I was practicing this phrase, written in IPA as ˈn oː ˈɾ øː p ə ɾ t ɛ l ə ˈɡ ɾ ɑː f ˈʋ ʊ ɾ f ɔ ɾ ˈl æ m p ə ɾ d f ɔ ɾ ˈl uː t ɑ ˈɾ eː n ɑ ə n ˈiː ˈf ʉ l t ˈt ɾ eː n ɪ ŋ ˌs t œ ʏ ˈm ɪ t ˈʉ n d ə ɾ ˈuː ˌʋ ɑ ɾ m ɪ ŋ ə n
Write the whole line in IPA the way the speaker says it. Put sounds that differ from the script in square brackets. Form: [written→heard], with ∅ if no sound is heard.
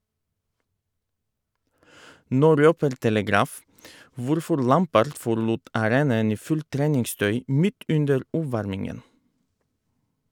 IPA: ˈn oː ˈɾ øː p ə ɾ t ɛ l ə ˈɡ ɾ ɑː f ˈʋ ʊ ɾ f ɔ ɾ ˈl æ m p ə ɾ d f ɔ ɾ ˈl uː t ɑ ˈɾ eː n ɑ ə n ˈiː ˈf ʉ l t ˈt ɾ eː n ɪ ŋ ˌs t œ ʏ ˈm ɪ t ˈʉ n d ə ɾ ˈuː ˌʋ ɑ ɾ m ɪ ŋ ə n